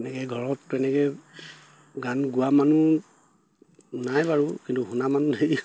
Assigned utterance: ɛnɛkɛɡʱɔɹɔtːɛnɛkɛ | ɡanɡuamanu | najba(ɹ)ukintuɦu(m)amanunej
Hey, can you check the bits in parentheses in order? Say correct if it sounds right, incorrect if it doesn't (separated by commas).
correct, incorrect